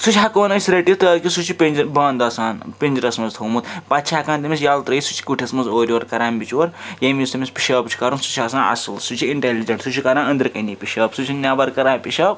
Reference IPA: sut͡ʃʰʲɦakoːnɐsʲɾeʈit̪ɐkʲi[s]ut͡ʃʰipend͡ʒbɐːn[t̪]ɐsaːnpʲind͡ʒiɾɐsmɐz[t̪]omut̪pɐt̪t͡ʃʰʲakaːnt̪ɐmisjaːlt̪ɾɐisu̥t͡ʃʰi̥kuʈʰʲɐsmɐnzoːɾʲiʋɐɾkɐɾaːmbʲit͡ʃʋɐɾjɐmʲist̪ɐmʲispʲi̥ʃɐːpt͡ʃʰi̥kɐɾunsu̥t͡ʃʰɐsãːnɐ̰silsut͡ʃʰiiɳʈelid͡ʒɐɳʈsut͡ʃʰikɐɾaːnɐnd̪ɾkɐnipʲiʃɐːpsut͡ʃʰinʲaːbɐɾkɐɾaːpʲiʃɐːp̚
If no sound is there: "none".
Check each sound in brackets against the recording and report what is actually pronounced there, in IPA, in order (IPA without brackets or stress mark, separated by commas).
s, d̪, t̪ʰ